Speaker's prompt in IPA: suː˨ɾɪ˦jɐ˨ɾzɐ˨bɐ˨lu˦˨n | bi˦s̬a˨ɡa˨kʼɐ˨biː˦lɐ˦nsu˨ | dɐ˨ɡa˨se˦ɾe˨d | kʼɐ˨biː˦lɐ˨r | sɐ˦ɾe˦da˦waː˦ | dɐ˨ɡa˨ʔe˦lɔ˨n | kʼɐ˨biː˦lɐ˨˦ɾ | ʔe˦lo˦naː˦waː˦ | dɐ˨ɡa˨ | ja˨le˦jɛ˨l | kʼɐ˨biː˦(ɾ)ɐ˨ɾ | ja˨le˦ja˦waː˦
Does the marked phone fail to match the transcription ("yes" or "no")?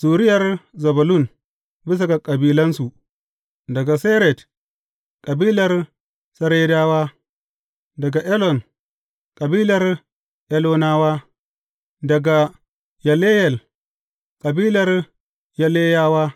yes